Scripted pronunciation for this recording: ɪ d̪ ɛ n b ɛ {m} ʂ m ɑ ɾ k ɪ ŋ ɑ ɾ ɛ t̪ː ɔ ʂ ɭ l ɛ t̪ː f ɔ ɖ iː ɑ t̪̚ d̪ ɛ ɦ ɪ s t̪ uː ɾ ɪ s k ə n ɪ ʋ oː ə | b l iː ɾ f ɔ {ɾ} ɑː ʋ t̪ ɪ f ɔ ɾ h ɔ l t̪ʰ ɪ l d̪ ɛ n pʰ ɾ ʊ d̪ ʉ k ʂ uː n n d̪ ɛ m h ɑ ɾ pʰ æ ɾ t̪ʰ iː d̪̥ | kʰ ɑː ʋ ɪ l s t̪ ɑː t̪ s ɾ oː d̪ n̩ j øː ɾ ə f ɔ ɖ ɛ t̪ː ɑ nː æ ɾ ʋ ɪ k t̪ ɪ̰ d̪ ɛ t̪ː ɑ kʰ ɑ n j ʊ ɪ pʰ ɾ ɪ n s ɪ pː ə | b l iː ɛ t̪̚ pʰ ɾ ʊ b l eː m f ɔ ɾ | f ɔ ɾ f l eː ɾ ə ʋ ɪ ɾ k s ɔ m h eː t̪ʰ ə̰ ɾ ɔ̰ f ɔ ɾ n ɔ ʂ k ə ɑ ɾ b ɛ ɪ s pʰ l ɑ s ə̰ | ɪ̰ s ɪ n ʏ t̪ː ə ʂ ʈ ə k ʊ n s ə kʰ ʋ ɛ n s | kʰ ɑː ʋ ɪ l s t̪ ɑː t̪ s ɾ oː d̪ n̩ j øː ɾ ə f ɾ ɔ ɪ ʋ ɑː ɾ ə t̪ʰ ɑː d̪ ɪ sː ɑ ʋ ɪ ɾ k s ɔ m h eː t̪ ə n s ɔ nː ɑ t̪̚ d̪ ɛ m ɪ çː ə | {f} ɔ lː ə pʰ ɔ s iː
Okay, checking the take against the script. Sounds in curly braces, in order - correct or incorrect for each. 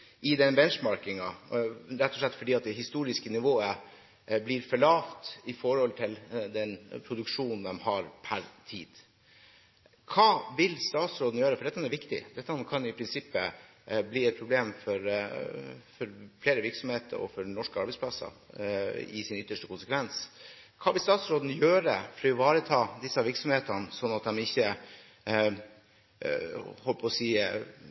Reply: incorrect, incorrect, incorrect

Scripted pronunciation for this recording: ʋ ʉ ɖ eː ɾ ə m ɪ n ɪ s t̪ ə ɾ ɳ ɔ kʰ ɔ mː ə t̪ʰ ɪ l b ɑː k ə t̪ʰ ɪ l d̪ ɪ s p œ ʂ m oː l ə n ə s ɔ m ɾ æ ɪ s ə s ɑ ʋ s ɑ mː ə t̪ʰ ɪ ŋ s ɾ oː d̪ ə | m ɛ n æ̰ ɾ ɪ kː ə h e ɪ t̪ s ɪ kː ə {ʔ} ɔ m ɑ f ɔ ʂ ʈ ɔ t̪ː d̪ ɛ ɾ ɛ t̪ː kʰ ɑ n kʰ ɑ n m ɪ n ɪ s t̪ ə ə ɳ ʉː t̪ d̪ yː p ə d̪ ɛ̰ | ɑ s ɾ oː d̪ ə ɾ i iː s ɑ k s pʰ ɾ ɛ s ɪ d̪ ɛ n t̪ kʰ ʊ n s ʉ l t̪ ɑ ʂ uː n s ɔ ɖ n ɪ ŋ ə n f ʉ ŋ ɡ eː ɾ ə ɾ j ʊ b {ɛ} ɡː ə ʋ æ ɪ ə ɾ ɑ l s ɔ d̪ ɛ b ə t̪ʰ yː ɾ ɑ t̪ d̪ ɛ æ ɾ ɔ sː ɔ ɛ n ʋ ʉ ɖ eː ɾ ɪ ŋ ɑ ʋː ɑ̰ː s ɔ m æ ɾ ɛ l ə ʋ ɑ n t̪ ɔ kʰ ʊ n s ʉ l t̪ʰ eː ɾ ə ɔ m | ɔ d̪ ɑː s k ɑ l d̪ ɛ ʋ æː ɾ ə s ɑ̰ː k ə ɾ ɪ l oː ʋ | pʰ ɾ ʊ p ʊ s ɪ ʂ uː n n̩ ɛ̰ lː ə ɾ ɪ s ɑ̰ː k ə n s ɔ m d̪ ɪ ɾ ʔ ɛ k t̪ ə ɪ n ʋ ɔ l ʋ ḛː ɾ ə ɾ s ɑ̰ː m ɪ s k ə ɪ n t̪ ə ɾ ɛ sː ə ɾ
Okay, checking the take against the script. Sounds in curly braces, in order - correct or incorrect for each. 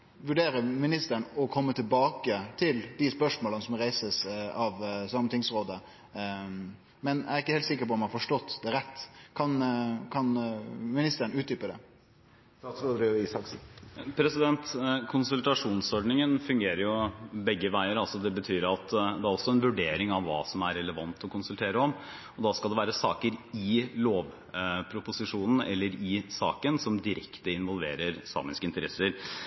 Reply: incorrect, correct

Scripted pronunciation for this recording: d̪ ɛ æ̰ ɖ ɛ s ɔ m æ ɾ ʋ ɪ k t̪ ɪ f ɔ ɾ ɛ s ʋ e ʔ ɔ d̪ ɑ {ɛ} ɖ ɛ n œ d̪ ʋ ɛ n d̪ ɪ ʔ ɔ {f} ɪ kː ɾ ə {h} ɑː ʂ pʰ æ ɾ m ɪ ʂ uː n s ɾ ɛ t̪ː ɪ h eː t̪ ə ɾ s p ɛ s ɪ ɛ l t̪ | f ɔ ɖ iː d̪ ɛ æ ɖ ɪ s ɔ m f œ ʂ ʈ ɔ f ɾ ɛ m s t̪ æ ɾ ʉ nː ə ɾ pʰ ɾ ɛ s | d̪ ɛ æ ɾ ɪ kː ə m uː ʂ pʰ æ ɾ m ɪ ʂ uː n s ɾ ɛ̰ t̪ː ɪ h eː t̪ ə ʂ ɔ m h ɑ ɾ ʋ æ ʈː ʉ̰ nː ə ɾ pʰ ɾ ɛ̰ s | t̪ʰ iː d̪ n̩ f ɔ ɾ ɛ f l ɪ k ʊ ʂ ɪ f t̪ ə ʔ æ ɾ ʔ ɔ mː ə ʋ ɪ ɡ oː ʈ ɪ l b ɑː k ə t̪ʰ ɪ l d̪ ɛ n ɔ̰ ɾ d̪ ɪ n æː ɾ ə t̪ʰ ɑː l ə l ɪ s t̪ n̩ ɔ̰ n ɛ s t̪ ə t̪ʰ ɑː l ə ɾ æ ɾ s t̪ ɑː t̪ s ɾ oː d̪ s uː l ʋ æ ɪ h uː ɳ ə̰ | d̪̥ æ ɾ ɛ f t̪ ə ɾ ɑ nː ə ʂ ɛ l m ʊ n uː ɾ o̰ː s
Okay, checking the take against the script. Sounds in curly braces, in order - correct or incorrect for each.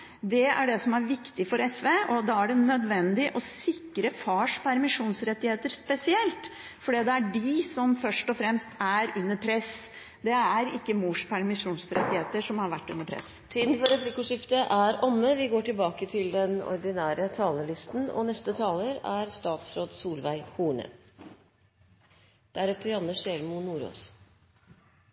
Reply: incorrect, incorrect, incorrect

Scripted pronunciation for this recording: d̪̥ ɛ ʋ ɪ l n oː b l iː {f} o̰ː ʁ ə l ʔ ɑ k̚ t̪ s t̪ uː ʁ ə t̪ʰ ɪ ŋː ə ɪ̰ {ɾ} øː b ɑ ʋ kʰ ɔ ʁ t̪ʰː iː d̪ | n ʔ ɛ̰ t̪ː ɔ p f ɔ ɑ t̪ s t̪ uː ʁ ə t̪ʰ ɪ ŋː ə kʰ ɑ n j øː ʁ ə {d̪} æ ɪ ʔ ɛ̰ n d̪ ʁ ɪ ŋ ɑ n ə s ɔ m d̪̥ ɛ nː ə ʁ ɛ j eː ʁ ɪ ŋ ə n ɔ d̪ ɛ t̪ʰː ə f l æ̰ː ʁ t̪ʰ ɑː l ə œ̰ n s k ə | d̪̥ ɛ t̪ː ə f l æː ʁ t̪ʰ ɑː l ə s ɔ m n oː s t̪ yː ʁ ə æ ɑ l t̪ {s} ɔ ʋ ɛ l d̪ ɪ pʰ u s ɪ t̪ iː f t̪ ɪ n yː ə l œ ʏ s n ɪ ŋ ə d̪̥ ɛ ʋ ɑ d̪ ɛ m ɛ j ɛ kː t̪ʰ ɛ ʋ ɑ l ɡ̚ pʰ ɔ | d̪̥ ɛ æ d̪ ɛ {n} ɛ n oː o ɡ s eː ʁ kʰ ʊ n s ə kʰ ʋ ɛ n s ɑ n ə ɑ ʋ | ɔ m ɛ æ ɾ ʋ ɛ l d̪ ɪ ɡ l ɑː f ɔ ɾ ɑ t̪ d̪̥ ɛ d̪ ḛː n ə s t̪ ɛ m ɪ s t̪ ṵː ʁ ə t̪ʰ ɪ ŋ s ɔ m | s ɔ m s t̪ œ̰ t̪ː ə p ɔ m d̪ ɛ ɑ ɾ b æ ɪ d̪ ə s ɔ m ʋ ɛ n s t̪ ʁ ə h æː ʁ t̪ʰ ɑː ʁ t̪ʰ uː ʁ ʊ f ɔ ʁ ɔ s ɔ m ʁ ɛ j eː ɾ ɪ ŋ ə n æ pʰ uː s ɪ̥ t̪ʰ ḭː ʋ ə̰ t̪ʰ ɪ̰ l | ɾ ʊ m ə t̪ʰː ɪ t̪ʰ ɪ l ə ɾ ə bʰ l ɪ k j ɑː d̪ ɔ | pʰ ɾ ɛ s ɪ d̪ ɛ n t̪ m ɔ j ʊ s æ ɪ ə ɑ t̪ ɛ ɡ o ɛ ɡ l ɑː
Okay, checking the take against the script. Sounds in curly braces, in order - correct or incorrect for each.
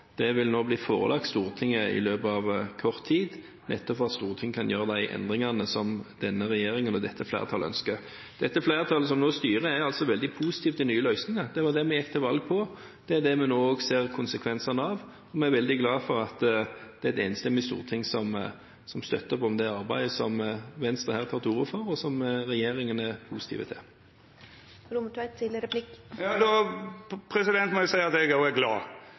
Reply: correct, incorrect, correct, correct, incorrect

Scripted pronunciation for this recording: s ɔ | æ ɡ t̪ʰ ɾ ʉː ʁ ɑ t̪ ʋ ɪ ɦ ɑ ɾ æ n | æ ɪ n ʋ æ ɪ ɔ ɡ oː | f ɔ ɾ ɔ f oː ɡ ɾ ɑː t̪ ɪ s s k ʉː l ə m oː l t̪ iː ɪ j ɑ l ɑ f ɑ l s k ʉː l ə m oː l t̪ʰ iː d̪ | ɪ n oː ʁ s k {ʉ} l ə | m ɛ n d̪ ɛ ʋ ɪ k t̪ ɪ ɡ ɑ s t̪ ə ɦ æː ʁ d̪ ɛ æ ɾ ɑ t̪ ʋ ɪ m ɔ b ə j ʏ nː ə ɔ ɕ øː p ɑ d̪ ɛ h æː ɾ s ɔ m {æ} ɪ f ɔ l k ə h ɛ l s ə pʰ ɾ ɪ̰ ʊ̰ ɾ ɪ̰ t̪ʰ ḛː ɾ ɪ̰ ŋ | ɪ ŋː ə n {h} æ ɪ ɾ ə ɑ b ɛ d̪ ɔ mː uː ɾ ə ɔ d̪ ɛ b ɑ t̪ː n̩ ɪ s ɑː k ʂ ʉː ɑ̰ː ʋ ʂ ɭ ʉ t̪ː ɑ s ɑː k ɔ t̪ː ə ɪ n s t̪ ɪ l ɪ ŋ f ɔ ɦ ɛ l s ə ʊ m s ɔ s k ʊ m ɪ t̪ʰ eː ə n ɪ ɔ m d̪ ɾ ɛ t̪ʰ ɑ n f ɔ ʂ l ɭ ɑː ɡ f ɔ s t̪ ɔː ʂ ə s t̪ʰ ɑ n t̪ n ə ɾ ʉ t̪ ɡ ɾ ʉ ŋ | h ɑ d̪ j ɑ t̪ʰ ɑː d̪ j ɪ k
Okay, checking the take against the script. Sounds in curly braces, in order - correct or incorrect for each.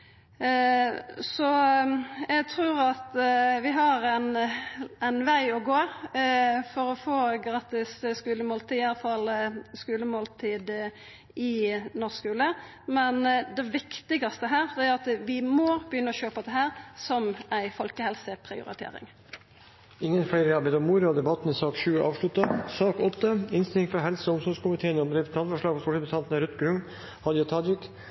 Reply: incorrect, correct, incorrect

